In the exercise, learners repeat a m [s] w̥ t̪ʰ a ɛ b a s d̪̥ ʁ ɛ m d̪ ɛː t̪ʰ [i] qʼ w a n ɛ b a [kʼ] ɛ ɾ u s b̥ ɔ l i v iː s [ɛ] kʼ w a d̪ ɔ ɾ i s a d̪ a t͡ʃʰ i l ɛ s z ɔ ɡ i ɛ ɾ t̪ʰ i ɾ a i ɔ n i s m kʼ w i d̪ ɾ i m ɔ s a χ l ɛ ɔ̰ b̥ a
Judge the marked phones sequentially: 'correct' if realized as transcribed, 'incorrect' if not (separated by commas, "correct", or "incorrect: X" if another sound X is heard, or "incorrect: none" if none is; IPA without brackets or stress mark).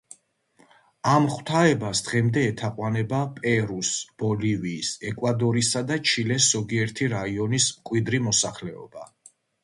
incorrect: χ, incorrect: a, incorrect: pʼ, correct